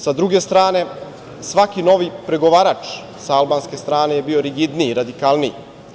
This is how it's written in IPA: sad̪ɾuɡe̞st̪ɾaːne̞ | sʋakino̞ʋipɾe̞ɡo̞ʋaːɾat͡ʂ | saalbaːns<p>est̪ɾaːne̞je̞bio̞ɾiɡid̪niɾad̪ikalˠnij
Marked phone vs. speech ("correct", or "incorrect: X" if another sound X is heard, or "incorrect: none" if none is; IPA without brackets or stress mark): incorrect: k